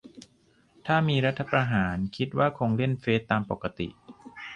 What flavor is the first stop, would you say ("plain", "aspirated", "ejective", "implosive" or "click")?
aspirated